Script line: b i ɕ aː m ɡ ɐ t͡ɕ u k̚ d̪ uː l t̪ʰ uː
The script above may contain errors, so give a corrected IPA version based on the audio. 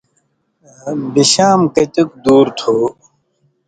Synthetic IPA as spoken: b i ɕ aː m k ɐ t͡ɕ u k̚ d̪ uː ɾ t̪ʰ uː